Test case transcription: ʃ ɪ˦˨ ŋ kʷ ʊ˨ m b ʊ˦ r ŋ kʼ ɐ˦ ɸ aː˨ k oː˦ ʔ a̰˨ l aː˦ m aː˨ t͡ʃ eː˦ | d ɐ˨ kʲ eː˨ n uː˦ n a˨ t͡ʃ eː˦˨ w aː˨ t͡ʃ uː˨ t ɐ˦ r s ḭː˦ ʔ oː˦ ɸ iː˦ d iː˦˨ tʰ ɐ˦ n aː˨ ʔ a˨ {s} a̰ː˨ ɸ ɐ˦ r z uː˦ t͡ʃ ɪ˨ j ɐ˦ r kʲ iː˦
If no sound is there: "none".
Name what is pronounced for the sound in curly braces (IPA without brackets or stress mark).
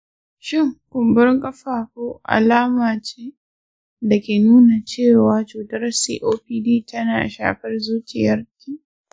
ʃ